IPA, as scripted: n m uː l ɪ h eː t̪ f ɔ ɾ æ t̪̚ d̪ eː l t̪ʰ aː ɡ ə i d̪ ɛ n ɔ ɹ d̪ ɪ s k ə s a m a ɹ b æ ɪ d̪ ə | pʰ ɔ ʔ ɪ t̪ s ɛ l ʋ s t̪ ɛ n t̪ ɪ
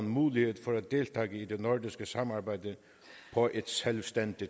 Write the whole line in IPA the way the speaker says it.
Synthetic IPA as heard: n m uː l ɪ h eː t̪ f ɔ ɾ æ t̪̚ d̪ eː l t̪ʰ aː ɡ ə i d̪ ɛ n ɔ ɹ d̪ ɪ s k ə s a m a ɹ b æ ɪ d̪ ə | pʰ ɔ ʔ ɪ t̪ s ɛ l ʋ s t̪ ɛ n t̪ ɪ